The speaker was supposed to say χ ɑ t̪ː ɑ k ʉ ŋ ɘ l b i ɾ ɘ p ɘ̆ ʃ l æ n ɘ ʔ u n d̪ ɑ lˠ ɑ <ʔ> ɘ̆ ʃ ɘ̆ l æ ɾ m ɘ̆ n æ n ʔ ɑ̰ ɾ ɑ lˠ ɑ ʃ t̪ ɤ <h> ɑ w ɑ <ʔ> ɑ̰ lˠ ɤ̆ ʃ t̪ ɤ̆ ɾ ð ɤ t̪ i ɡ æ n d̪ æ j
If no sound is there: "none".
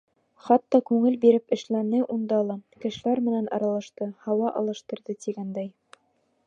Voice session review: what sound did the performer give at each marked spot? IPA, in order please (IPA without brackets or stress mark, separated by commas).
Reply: k, h, ʔ